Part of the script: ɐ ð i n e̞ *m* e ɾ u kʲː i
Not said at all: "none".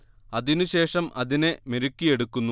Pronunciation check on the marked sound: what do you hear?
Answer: m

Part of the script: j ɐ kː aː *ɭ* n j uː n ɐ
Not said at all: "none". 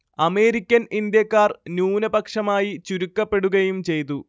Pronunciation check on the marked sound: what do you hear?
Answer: r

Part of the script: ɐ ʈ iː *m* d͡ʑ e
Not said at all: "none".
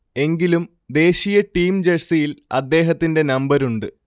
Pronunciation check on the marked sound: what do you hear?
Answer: m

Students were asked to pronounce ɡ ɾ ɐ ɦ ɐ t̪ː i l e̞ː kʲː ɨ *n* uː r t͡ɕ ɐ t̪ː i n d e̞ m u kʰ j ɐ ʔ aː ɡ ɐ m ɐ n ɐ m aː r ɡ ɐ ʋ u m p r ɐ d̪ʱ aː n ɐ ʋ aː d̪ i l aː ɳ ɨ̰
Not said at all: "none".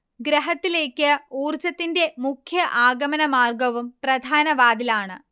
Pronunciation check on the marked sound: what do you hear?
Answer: none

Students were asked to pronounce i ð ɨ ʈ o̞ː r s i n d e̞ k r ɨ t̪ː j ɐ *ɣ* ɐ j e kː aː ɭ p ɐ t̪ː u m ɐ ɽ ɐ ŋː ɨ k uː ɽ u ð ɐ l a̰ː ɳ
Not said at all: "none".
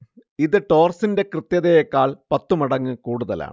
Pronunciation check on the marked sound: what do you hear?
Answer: ð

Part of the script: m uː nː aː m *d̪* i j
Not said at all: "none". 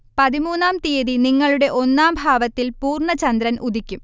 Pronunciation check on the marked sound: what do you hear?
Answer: t̪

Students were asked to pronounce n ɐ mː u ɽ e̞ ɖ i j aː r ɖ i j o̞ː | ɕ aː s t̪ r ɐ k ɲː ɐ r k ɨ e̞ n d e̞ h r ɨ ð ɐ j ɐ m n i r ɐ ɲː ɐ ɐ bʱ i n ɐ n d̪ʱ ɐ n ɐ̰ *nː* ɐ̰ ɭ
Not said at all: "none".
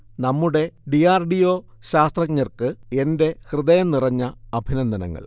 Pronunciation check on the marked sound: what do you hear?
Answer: ŋː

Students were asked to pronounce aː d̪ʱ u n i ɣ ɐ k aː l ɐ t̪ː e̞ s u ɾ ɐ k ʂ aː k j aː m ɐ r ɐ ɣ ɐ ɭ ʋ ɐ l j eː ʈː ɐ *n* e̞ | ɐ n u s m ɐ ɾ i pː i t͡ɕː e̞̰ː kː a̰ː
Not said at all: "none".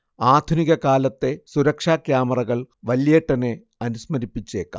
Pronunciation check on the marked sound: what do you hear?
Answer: n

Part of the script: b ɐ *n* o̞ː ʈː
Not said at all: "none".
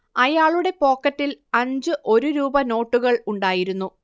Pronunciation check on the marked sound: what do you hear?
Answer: n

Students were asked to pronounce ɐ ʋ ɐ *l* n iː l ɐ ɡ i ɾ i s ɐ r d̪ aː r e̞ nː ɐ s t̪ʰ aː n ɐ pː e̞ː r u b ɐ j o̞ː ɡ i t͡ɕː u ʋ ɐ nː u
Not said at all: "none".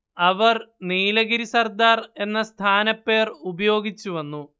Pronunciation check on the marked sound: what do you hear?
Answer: r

